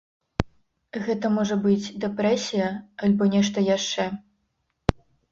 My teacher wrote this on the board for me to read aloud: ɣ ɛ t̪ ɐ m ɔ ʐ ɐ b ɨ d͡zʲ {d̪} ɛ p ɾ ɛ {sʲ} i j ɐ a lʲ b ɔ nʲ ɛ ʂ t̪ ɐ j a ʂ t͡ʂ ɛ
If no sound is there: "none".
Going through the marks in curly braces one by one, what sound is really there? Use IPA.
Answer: d̪, sʲ

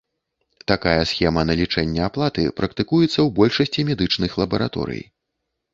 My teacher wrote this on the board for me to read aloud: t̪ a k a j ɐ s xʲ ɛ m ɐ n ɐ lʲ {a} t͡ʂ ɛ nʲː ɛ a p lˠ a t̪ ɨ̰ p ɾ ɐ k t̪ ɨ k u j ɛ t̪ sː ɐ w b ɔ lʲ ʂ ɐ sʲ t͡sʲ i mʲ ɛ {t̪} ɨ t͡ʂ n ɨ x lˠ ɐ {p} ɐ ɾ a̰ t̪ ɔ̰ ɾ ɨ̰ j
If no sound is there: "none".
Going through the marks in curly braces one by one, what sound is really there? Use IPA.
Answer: i, d̪, b

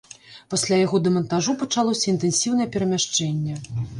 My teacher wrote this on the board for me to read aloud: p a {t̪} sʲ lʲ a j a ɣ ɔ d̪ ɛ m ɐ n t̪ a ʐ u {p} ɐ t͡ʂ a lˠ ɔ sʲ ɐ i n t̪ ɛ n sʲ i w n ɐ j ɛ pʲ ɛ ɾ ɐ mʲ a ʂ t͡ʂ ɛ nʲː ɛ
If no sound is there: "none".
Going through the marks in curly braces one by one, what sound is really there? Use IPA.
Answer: none, p

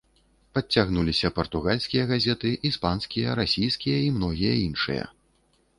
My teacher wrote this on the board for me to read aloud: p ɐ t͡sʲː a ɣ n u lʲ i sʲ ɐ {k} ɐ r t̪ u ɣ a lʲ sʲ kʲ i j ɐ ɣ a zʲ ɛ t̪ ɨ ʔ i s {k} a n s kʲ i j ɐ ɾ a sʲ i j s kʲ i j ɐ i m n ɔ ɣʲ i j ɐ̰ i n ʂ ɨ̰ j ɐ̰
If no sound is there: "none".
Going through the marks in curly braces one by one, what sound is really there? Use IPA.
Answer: p, p

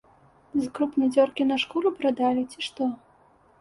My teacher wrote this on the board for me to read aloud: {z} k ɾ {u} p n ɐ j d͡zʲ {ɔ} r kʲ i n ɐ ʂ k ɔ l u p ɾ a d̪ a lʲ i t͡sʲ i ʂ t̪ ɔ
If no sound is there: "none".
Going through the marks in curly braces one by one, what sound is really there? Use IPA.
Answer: z, u, ɔ

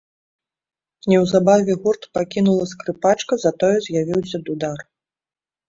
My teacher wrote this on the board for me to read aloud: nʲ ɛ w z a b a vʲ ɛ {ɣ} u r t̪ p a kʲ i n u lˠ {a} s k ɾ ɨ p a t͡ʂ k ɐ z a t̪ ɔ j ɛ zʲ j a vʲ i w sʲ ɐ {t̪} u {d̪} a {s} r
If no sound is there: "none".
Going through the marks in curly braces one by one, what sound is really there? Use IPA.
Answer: ɣ, ɐ, d̪, d̪, none

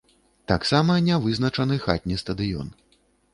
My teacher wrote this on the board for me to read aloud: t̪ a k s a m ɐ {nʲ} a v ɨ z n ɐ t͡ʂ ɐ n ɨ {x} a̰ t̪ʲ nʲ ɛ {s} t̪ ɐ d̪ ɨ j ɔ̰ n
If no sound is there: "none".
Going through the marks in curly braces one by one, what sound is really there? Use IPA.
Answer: nʲ, x, s

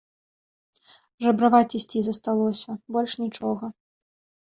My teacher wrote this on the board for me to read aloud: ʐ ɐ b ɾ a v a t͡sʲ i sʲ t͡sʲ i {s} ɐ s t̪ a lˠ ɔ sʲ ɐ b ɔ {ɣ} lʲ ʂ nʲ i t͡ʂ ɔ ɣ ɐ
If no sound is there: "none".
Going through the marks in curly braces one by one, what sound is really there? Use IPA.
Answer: z, none

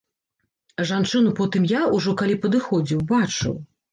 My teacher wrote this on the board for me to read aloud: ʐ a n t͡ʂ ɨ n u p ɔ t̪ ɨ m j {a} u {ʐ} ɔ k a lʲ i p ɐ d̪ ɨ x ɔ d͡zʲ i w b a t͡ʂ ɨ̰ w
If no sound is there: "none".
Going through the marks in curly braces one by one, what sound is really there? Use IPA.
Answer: a, ʐ

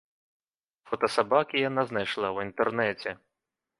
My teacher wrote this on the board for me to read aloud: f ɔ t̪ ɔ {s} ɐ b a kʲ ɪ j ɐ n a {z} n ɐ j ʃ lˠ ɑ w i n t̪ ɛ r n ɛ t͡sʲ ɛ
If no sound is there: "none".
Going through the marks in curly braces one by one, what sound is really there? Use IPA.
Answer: s, z

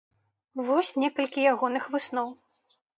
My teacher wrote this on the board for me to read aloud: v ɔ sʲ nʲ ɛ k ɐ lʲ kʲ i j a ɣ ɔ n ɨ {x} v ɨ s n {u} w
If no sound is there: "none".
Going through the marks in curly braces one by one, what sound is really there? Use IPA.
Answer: x, ɔ

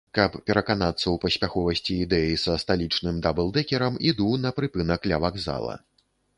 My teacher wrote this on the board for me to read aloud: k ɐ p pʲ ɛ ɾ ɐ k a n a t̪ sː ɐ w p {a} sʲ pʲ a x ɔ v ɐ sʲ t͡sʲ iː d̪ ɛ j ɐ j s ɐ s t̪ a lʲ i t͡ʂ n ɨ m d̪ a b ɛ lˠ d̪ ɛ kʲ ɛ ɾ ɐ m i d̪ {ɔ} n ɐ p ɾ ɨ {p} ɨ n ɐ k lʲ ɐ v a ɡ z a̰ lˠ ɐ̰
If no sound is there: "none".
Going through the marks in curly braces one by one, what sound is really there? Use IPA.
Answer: ɐ, u, p

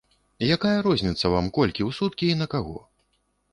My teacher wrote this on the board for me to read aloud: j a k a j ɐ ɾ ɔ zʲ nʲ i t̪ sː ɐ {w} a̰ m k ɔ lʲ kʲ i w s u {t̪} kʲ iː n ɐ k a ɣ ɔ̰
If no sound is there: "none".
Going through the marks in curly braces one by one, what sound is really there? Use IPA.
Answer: v, t̪

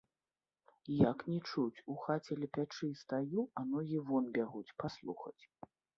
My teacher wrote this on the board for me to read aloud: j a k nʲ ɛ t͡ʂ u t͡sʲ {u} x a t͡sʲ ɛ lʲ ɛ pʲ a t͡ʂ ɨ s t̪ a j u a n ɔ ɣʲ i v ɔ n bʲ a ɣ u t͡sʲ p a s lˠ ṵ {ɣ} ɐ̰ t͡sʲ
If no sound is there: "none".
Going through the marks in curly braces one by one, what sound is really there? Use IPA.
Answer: u, x

